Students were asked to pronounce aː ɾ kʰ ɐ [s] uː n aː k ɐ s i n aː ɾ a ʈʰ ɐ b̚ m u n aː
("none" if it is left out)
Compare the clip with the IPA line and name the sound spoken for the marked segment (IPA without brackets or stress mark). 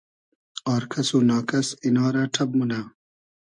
s